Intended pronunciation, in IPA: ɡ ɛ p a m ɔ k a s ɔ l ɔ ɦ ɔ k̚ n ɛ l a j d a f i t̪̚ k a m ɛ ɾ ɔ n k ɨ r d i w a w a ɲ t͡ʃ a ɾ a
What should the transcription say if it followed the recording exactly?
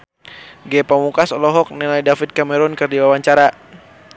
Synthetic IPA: ɡ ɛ p a m u k a s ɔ l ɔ ɦ ɔ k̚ n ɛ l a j d a f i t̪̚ k a m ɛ ɾ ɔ n k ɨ r d i w a w a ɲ t͡ʃ a ɾ a

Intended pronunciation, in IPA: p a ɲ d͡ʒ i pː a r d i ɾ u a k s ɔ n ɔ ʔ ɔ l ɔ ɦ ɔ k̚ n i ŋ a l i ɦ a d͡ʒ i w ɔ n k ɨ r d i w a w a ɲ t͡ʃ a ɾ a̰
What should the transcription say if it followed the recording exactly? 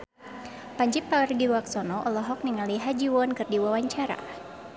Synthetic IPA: p a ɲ d͡ʒ i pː a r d i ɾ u a k s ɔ n ɔ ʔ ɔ l ɔ ɦ ɔ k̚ n i ŋ a l i ɦ a d͡ʒ i w ɔ n k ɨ r d i w a w a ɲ t͡ʃ a ɾ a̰

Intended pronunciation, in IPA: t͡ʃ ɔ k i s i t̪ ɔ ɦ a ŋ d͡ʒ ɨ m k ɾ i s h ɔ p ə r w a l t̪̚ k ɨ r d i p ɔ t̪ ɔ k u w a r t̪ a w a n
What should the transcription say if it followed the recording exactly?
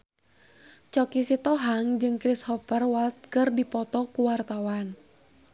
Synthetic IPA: t͡ʃ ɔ k i s i t̪ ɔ ɦ a ŋ d͡ʒ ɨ ŋ k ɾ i s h ɔ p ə r w a l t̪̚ k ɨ r d i p ɔ t̪ ɔ k u w a r t̪ a w a n

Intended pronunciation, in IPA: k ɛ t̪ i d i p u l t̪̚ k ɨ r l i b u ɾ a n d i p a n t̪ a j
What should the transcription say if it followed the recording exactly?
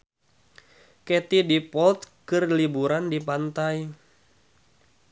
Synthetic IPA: k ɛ t̪ i d i p ɔ l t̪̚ k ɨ r l i b u ɾ a n d i p a n t̪ a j

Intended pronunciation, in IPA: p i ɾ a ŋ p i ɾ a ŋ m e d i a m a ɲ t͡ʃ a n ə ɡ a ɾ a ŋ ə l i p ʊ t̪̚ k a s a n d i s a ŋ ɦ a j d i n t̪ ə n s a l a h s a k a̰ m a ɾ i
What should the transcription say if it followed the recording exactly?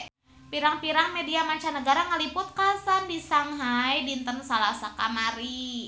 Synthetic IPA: p i ɾ a ŋ p i ɾ a ŋ m e d i a m a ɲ t͡ʃ a n ə ɡ a ɾ a ŋ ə l i p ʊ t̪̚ k a s a n d i s a ŋ ɦ a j d i n t̪ ə n s a l a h s a k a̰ m a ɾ i

